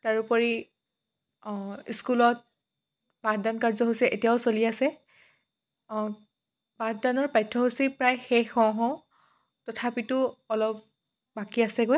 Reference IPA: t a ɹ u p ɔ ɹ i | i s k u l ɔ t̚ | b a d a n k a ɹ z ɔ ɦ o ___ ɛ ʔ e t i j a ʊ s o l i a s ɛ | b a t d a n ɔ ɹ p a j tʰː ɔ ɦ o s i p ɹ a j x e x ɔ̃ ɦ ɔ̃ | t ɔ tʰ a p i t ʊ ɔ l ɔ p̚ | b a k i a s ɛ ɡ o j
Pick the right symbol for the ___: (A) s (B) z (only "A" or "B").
A